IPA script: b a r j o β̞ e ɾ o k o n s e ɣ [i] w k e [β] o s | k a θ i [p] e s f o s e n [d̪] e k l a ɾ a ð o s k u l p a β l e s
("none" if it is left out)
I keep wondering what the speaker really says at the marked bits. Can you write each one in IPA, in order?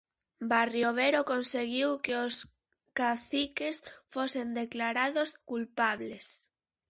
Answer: i, none, k, d̪

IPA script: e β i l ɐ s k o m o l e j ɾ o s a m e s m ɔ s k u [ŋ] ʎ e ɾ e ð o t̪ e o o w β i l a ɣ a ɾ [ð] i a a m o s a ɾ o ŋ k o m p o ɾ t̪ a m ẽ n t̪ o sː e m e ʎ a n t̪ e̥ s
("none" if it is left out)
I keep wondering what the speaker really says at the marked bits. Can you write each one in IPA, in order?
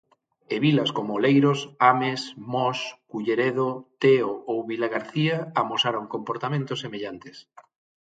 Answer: none, θ

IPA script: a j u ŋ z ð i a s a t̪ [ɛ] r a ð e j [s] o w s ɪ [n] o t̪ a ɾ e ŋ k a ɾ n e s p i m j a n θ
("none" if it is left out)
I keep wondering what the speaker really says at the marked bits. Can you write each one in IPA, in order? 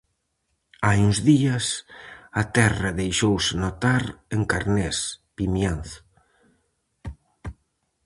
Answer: ɛ, ʃ, n

